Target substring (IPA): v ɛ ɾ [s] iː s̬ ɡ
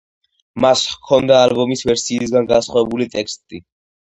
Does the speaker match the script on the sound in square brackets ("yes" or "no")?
yes